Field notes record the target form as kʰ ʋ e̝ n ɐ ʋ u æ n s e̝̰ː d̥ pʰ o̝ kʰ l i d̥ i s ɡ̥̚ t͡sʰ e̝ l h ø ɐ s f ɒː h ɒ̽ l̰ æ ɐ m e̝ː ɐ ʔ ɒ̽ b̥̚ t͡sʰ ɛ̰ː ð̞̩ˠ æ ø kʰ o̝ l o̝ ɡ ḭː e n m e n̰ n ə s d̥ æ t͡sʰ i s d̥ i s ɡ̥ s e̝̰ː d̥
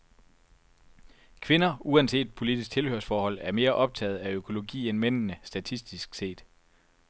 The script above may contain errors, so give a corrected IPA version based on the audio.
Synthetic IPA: kʰ ʋ e̝ n ɐ u æ n s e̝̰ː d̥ pʰ o̝ l i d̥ i s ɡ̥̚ t͡sʰ e̝ l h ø ɐ s f ɒː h ɒ̽ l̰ æ ɐ m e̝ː ɐ ʔ ɒ̽ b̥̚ t͡sʰ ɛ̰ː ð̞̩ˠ æ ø kʰ o̝ l o̝ ɡ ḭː e n m e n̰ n ə s d̥ æ t͡sʰ i s d̥ i s ɡ̥ s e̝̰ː d̥